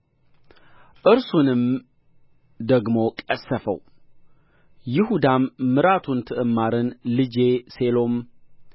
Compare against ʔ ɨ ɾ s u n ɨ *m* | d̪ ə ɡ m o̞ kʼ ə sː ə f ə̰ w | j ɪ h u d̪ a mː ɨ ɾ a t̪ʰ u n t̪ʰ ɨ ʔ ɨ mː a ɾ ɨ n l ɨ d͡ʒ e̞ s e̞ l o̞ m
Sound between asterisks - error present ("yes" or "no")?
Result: no